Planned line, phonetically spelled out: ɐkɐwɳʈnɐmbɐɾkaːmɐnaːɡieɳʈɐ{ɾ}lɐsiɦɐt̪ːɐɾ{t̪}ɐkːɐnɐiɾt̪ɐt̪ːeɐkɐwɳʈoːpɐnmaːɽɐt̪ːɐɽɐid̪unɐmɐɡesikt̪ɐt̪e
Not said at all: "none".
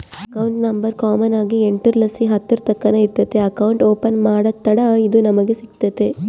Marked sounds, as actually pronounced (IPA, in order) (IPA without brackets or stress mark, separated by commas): ɾ, t̪